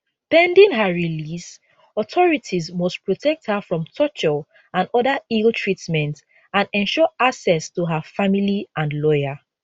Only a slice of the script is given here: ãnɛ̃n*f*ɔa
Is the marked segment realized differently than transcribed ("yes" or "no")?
yes